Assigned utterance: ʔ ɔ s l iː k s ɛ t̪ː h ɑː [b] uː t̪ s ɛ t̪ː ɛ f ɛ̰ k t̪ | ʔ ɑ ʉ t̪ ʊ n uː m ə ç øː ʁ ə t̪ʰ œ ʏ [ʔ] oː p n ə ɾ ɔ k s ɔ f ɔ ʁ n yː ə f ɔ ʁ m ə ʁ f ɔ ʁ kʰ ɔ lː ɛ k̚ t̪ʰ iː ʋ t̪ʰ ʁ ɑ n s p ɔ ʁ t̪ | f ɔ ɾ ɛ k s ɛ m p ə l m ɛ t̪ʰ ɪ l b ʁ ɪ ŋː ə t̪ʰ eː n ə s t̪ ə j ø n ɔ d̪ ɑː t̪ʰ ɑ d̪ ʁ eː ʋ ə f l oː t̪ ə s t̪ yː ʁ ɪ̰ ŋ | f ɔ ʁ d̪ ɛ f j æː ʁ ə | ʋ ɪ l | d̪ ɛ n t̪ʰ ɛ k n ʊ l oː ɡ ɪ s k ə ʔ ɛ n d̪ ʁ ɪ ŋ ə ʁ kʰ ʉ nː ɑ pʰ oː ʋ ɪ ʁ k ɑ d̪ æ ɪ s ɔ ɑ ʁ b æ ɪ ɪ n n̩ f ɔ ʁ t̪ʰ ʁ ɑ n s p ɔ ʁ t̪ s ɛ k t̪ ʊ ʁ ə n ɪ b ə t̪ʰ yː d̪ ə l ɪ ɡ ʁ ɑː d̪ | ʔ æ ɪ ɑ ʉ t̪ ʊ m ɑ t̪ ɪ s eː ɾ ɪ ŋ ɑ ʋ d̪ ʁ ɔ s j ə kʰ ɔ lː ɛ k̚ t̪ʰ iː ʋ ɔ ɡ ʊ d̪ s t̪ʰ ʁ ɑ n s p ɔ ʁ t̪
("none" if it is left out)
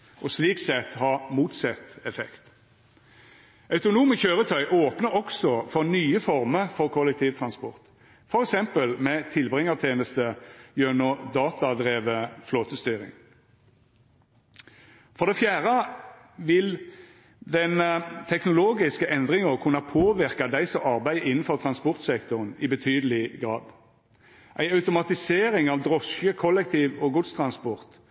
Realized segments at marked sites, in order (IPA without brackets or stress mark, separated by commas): m, ʔ